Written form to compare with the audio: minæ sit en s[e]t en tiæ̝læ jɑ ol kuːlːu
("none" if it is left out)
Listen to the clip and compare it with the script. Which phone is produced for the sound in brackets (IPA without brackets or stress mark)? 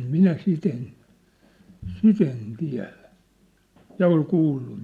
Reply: i